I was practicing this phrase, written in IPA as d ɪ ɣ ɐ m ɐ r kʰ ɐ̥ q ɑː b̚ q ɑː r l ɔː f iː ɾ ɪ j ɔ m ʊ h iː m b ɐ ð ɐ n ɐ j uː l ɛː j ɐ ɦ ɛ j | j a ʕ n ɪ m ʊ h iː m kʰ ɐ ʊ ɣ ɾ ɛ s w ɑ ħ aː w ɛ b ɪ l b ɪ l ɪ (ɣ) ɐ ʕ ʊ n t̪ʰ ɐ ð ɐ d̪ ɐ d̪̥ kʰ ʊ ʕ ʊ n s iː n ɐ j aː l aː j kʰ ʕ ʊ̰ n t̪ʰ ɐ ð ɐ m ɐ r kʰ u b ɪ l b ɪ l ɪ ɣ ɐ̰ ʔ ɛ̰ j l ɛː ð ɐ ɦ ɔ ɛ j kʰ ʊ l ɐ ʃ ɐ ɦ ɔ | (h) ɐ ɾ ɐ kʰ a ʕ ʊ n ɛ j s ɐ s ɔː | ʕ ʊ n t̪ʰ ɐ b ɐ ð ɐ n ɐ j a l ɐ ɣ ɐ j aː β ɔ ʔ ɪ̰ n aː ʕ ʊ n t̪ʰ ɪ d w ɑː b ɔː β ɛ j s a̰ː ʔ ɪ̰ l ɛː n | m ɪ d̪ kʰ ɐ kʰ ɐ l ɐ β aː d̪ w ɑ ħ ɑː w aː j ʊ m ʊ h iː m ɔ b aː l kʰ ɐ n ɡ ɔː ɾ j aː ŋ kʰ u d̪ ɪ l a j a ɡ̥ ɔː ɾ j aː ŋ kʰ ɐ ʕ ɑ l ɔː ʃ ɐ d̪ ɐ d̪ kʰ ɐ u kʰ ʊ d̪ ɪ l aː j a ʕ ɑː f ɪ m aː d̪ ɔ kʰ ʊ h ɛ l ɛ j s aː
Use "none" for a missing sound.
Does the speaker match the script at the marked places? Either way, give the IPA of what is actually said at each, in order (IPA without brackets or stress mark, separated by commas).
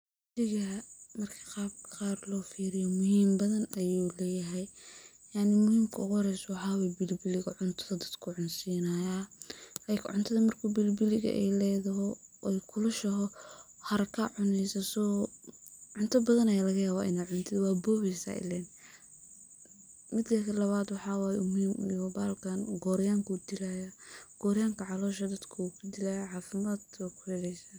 ɣ, h